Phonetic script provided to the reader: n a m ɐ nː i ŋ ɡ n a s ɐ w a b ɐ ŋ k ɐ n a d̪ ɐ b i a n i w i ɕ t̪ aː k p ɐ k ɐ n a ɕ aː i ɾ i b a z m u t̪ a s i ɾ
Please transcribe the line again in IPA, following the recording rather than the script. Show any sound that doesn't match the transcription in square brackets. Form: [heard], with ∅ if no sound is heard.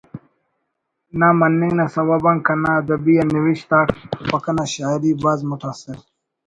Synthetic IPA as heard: n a m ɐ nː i ŋ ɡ n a s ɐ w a b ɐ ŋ k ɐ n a d̪ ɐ b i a n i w i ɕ t̪ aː k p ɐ k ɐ n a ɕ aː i ɾ i b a z m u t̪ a s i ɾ